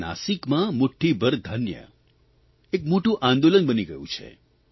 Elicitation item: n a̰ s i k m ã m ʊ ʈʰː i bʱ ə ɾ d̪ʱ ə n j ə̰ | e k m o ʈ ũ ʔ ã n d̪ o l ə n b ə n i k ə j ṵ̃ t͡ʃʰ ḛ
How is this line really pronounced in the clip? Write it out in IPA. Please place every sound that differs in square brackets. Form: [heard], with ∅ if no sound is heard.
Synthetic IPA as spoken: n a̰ s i k m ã m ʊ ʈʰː i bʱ ə ɾ d̪ʱ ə n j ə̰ | e k m o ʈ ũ ʔ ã n d̪ o l ə n b ə n i [ɡ] ə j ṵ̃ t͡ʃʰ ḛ